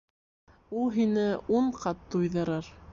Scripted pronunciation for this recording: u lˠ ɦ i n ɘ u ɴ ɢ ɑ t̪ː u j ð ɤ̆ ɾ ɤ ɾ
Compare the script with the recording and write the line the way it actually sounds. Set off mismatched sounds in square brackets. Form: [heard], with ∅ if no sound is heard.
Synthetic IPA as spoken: u lˠ ɦ i n ɘ u ɴ [q] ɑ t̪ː u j ð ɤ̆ ɾ ɤ ɾ